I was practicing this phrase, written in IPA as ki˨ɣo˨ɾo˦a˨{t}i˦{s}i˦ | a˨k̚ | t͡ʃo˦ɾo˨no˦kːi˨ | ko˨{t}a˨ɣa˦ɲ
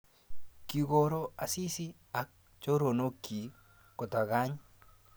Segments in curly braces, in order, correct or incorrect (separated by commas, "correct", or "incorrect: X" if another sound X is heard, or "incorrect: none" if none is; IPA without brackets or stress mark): incorrect: s, correct, correct